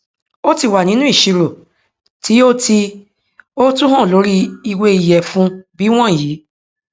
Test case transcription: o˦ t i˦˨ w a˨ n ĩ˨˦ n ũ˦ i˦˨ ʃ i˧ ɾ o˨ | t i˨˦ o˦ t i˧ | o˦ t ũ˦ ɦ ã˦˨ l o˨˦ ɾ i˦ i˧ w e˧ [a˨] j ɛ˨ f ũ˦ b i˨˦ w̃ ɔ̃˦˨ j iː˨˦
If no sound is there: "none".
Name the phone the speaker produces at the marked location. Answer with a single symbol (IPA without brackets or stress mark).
i˨